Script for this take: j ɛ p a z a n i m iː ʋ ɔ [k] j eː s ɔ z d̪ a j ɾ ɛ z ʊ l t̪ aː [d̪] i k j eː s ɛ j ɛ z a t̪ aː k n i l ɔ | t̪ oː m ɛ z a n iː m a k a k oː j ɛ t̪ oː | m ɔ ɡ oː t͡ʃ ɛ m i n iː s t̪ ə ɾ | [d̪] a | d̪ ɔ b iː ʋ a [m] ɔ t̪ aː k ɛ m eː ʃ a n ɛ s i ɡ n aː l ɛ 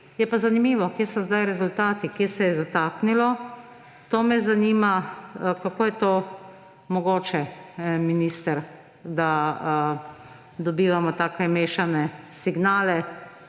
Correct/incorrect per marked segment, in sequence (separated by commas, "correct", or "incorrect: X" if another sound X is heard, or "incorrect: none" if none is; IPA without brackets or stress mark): correct, incorrect: t̪, correct, correct